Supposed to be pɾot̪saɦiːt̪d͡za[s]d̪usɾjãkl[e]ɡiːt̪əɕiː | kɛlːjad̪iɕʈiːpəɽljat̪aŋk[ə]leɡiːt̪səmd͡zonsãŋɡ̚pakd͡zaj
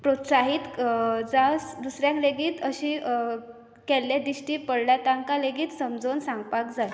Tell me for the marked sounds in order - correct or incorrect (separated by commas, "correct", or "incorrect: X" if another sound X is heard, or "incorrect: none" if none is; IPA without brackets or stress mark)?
correct, correct, incorrect: a